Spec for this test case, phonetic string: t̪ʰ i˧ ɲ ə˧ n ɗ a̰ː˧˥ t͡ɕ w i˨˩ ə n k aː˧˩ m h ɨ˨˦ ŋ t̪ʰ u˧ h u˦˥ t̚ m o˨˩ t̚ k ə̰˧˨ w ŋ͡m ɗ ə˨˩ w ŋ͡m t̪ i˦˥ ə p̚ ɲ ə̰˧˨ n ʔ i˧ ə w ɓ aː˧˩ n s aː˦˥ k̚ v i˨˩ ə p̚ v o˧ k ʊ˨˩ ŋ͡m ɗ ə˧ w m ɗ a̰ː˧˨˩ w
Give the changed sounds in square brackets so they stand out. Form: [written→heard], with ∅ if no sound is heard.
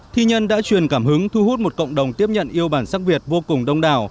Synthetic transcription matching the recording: t̪ʰ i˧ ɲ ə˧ n ɗ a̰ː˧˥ t͡ɕ w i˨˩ ə n k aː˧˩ m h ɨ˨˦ ŋ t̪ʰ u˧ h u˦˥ t̚ m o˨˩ t̚ k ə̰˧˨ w ŋ͡m ɗ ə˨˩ w ŋ͡m t̪ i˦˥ ə p̚ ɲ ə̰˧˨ n ʔ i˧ ə w ɓ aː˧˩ n s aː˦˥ k̚ v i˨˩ ə [p̚→t̚] v o˧ k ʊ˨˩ ŋ͡m ɗ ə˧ w [m→ŋ͡m] ɗ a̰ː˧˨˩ w